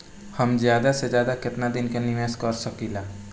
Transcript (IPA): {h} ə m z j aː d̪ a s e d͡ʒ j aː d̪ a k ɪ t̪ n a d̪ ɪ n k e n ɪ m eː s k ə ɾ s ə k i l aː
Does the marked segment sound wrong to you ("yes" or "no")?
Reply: no